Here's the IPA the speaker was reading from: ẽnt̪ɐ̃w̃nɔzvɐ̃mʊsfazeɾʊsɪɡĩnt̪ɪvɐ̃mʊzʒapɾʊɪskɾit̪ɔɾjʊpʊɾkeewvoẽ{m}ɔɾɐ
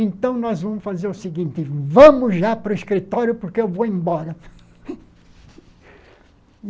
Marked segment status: incorrect: b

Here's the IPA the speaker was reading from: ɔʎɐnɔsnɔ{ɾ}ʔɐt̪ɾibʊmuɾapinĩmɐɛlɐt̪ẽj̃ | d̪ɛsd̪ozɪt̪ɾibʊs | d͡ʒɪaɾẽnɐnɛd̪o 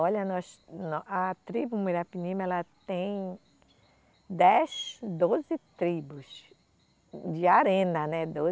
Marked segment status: incorrect: none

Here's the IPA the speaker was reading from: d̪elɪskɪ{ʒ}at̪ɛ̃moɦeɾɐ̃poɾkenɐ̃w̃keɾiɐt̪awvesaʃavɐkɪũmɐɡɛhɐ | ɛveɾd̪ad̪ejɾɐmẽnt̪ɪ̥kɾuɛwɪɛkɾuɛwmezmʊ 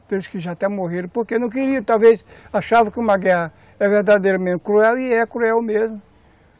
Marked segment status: correct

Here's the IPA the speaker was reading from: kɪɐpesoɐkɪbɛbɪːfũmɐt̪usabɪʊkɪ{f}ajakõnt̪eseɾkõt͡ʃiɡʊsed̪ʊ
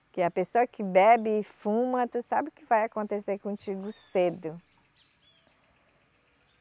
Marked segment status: incorrect: v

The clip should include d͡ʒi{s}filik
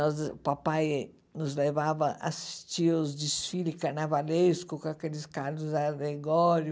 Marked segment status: correct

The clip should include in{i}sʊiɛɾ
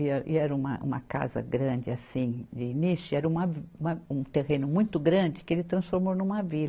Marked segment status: correct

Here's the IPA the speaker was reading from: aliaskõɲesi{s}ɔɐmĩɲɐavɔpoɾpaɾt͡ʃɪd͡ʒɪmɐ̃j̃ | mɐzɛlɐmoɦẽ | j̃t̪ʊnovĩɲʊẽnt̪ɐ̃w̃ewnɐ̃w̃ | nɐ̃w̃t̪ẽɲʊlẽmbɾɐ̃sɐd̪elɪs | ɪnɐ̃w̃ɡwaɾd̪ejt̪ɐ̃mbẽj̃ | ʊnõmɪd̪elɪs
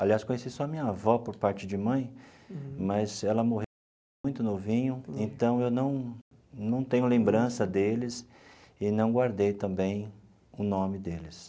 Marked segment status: correct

